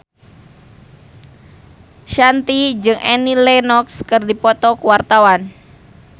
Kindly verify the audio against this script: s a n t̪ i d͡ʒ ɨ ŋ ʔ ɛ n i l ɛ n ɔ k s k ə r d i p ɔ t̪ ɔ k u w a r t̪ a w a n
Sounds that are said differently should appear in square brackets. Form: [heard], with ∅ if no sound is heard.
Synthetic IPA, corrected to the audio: [ʃ] a n t̪ i d͡ʒ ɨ ŋ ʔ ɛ n i l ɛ n ɔ k s k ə r d i p ɔ t̪ ɔ k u w a r t̪ a w a n